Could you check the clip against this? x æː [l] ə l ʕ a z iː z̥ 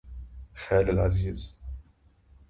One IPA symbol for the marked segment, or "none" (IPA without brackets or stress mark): l